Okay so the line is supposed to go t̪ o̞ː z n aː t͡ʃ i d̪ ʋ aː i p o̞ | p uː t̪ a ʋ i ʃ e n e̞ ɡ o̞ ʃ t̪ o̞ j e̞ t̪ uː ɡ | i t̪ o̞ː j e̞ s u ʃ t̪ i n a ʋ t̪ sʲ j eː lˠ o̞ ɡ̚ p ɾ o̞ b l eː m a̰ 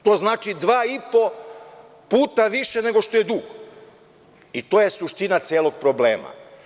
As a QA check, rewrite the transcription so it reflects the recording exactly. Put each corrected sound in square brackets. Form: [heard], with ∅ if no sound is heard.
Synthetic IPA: t̪ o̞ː z n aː t͡ʃ i d̪ ʋ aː i p o̞ | p uː t̪ a ʋ i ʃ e n e̞ ɡ o̞ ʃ t̪ o̞ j e̞ [d̪] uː ɡ | i t̪ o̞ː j e̞ s u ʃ t̪ i n a [∅] t̪ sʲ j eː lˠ o̞ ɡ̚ p ɾ o̞ b l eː m a̰

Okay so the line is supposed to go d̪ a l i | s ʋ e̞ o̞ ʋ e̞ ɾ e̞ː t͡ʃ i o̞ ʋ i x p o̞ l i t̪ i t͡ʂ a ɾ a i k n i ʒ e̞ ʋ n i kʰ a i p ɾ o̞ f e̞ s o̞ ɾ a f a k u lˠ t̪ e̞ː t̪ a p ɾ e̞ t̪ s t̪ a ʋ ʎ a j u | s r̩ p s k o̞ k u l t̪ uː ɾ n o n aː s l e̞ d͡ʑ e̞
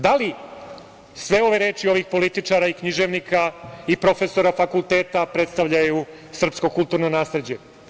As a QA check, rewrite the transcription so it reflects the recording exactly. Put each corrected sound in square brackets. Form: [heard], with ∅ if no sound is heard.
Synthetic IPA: d̪ a l i | s ʋ e̞ o̞ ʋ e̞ ɾ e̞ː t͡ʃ i o̞ ʋ i x p o̞ l i t̪ i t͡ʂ a ɾ a i k [ɲ] i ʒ e̞ ʋ n i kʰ a i p ɾ o̞ f e̞ s o̞ ɾ a f a k u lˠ t̪ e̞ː t̪ a p ɾ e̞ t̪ s t̪ a ʋ ʎ a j u | s r̩ p s k o̞ k u l t̪ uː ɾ n o n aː s l e̞ d͡ʑ e̞

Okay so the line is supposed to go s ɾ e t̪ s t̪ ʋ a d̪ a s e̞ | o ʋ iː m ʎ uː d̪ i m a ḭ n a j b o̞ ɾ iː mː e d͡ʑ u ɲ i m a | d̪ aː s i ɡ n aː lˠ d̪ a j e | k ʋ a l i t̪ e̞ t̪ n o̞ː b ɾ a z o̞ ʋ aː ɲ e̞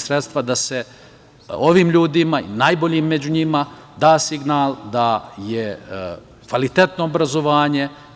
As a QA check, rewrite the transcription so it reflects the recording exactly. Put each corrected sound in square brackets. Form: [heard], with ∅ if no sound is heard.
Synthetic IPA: s ɾ e t̪ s t̪ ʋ a d̪ a s e̞ | o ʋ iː m ʎ uː d̪ i m a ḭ n a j b o̞ [ʎ] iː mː e d͡ʑ u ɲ i m a | d̪ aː s i ɡ n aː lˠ d̪ a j e | k ʋ a l i t̪ e̞ t̪ n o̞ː b ɾ a z o̞ ʋ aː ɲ e̞

